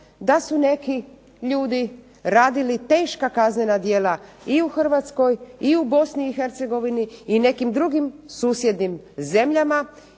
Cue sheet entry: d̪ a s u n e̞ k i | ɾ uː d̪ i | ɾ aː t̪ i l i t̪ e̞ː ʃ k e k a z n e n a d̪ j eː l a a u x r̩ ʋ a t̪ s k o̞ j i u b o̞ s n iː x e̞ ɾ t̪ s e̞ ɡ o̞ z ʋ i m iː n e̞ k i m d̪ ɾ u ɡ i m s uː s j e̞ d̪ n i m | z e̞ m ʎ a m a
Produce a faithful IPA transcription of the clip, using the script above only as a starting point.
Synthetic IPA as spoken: d̪ a s u n e̞ k i | ʎ uː d̪ i | ɾ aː d̪ i l i t̪ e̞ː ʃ k a k a z n e n a d̪ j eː l a i u x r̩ ʋ a t̪ s k o̞ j i u b o̞ s n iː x e̞ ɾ t̪ s e̞ ɡ o̞ ʋ i n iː n e̞ k i m d̪ ɾ u ɡ i m s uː s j e̞ d̪ n i m | z e̞ m ʎ a m a